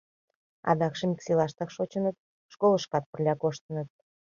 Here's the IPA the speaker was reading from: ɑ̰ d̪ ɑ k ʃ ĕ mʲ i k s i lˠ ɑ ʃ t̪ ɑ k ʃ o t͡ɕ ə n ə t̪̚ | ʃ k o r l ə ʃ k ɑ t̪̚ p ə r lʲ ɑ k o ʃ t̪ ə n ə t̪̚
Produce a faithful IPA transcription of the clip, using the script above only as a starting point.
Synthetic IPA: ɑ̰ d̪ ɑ k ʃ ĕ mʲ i k s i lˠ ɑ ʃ t̪ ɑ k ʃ o t͡ɕ ə n ə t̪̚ | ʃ k o l ə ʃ k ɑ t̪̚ p ə r lʲ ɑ k o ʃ t̪ ə n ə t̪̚